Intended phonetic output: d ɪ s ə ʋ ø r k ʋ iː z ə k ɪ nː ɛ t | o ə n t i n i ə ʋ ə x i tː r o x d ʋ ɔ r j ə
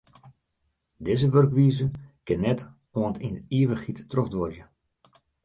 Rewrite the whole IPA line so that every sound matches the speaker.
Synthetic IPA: d ɪ z ə ʋ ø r k ʋ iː z ə k ɪ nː ɛ t | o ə n t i n i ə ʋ ə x i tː r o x d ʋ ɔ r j ə